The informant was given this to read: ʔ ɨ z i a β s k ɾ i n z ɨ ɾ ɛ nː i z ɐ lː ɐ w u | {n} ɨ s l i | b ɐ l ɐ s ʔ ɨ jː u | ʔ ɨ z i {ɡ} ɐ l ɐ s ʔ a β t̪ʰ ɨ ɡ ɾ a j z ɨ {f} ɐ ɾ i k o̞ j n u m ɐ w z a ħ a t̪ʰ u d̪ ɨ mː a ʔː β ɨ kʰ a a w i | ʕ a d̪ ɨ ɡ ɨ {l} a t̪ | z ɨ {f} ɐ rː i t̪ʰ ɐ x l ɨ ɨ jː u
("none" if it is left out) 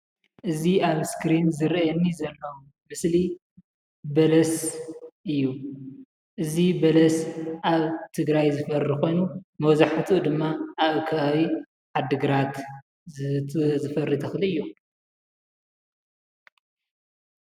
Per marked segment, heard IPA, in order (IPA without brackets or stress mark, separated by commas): m, b, f, ɾ, f